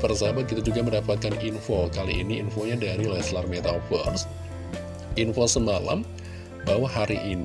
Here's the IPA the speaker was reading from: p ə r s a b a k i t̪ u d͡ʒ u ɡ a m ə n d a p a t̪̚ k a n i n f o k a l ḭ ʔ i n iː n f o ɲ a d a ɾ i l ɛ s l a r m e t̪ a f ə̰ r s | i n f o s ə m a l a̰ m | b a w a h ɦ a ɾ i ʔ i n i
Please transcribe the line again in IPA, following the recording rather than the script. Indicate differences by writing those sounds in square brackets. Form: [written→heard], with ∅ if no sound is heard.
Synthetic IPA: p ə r s a b a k i t̪ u d͡ʒ u ɡ a m ə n d a p a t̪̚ k a n i n f o k a l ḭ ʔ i n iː n f o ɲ a d a ɾ i l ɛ s l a r m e t̪ a f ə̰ r s | i n f o s ə m a l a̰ m | b a w a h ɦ a ɾ i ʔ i n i